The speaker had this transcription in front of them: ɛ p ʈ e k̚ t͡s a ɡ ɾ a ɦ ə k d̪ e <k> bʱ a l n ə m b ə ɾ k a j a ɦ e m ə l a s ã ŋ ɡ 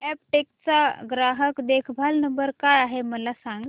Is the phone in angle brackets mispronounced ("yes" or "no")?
yes